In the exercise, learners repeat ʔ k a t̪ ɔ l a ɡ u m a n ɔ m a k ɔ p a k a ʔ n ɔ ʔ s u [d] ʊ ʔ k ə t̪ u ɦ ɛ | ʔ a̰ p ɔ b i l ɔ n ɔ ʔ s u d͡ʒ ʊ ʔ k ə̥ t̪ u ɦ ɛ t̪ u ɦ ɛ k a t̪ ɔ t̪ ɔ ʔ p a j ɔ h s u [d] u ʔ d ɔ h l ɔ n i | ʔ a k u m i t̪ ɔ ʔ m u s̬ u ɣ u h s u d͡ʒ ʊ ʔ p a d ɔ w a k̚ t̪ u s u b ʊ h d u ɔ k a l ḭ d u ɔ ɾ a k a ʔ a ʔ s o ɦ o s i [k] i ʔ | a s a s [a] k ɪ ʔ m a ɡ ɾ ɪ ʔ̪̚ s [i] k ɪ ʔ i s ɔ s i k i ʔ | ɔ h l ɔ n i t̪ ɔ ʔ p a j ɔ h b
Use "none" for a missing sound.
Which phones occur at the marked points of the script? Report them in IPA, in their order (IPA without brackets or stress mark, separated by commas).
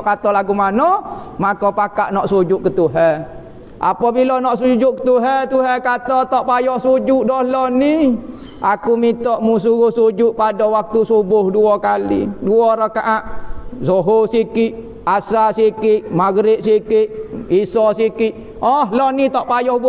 d͡ʒ, d͡ʒ, k, i, i